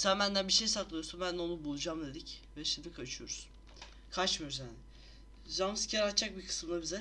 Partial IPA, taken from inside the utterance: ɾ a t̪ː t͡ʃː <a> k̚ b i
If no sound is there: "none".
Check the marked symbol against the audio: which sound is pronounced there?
a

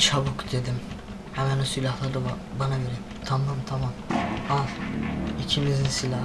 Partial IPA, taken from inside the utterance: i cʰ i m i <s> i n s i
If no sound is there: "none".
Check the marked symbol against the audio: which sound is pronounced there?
z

